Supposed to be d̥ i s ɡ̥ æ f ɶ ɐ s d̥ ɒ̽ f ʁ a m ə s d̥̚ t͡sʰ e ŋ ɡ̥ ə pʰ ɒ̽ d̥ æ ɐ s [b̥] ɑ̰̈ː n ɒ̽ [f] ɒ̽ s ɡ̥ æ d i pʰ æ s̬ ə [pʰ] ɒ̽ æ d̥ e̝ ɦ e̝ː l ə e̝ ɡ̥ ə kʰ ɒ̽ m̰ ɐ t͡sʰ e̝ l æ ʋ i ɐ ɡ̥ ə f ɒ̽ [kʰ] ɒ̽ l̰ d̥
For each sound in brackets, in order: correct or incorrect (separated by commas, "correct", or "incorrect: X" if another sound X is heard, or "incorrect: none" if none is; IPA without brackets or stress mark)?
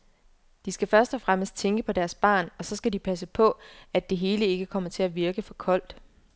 correct, incorrect: s, correct, correct